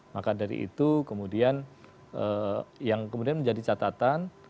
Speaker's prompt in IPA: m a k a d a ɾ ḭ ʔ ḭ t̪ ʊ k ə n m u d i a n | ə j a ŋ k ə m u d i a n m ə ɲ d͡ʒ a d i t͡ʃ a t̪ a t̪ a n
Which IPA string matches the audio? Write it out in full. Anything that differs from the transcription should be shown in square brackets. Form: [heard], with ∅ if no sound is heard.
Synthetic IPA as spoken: m a k a d a ɾ ḭ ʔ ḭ t̪ [u] k ə [∅] m u d i a n | ə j a ŋ k ə m u d i a n m ə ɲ d͡ʒ a d i t͡ʃ a t̪ a t̪ a n